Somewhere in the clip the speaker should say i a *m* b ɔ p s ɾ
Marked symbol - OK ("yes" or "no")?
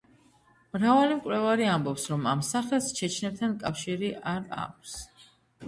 yes